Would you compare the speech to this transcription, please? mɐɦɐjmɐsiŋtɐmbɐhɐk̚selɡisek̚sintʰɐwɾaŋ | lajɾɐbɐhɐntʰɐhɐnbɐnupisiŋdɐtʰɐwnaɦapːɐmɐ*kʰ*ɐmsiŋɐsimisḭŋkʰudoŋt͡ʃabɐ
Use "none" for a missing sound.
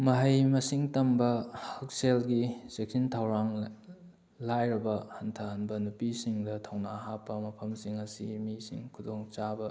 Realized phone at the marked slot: pʰ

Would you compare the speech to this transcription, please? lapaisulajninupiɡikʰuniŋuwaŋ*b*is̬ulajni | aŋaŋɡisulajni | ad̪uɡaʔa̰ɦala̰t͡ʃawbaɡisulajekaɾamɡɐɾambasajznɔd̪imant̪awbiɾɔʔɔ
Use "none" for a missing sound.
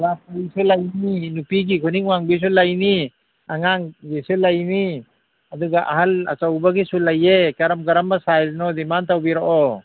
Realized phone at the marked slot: b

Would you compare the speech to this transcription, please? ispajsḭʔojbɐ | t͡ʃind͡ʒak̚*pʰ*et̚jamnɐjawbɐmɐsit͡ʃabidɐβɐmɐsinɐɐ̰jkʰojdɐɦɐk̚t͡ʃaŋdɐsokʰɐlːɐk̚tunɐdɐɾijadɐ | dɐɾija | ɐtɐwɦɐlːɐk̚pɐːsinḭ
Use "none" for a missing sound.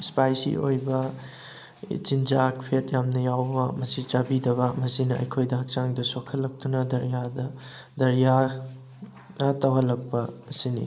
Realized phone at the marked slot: pʰ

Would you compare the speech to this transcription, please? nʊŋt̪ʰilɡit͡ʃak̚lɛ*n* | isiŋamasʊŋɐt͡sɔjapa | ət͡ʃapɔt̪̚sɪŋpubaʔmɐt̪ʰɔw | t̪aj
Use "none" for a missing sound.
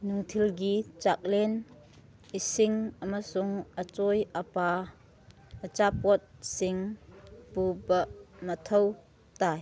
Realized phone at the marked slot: n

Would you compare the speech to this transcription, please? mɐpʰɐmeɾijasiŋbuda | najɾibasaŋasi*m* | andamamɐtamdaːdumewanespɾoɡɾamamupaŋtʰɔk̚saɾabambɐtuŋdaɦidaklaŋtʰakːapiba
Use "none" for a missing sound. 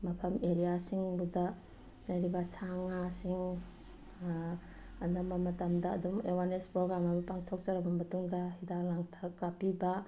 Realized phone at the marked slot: ŋ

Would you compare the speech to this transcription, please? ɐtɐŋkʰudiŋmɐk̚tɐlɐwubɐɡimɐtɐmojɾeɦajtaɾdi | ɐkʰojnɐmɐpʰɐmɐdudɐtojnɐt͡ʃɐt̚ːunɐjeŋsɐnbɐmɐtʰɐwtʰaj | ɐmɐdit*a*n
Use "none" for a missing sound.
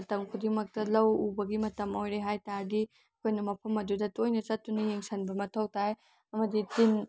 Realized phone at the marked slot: i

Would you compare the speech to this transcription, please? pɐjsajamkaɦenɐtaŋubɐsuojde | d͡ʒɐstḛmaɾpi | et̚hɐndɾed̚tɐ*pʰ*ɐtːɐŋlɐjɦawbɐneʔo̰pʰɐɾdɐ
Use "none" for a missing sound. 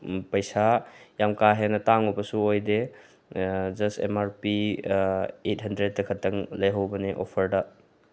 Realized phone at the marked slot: kʰ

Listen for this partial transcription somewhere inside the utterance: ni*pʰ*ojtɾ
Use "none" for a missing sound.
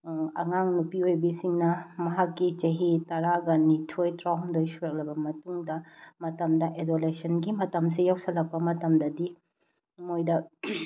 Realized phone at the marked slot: tʰ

